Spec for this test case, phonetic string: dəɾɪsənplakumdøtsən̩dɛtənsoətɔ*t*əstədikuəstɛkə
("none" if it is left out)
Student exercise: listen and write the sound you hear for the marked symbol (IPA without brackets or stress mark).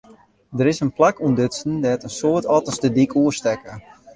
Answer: t